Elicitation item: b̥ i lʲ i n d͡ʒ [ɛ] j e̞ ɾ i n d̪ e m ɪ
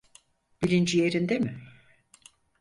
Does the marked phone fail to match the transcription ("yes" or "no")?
yes